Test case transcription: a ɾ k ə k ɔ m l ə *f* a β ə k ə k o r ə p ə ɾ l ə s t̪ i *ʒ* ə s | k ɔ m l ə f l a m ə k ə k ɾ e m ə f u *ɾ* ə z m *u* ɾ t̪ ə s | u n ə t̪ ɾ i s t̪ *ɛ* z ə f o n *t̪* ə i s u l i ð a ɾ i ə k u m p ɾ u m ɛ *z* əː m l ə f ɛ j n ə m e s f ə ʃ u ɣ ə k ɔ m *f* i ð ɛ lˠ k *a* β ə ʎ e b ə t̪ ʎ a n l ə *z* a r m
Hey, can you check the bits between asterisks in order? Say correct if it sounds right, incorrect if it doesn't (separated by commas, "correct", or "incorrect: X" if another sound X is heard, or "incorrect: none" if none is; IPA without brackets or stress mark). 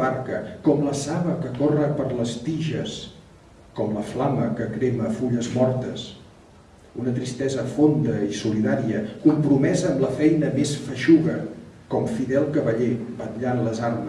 incorrect: s, correct, incorrect: ʎ, incorrect: ɔ, correct, incorrect: d̪, correct, correct, incorrect: ə, correct